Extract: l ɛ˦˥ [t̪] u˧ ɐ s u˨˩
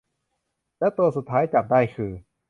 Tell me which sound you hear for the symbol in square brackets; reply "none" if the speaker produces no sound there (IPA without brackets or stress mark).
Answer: t̪